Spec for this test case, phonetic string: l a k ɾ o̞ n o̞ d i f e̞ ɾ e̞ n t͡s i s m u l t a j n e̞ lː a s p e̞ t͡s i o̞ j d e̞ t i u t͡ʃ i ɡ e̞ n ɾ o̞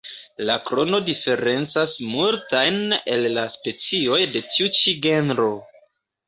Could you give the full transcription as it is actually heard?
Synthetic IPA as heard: l a k ɾ o̞ n o̞ d i f e̞ ɾ e̞ n t͡s a s m u l t a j n e̞ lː a s p e̞ t͡s i o̞ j d e̞ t i u t͡ʃ i ɡ e̞ n ɾ o̞